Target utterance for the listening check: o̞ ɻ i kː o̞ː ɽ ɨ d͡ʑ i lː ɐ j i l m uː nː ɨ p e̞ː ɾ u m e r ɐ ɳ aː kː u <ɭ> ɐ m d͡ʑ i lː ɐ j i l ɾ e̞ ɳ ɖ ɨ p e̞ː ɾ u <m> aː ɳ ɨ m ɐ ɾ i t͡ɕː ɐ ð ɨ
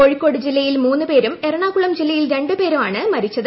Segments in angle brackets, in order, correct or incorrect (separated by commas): correct, correct